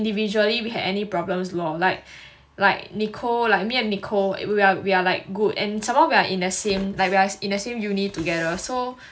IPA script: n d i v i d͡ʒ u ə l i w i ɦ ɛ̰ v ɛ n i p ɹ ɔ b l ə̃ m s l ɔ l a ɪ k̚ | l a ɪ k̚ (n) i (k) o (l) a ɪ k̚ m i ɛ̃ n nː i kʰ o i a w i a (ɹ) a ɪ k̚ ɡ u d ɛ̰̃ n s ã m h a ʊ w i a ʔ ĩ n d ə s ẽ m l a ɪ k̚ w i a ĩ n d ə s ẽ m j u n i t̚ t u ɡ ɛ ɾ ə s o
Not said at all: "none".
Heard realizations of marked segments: n, kʰ, l, l

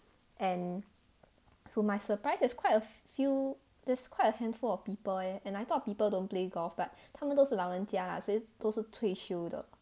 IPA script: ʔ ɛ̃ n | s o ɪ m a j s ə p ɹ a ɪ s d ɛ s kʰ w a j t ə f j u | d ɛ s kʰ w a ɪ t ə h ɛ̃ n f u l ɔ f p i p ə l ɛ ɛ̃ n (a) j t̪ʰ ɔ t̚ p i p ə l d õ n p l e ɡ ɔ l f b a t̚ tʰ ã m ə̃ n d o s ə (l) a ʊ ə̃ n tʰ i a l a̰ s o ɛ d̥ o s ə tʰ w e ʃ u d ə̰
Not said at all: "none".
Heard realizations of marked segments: a, l

